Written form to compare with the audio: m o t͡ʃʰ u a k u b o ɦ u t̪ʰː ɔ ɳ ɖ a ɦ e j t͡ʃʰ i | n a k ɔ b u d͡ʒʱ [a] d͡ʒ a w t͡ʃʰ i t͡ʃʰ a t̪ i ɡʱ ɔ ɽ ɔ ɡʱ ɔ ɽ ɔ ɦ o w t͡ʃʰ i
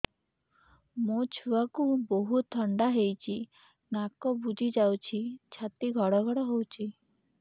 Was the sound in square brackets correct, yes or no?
no